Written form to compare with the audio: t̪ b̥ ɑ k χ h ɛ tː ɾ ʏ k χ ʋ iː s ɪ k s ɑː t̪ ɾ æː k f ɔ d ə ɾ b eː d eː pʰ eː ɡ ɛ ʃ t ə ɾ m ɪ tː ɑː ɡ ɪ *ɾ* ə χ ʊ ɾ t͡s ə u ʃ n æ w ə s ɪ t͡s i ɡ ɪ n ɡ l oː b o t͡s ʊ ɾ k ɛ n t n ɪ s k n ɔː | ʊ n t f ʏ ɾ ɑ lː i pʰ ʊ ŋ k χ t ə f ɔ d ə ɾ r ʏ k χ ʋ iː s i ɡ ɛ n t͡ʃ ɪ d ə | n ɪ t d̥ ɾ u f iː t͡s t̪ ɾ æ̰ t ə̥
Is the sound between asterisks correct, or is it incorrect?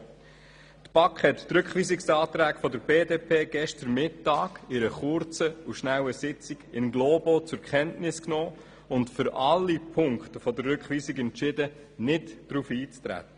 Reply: correct